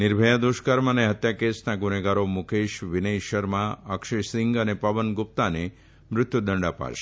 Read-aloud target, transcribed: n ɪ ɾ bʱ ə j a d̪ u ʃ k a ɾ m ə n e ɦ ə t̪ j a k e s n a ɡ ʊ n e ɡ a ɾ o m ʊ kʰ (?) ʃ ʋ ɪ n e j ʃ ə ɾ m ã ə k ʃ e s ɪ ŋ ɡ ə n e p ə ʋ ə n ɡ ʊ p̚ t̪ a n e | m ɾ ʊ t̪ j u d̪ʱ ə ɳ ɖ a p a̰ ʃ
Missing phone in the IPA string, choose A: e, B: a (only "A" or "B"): A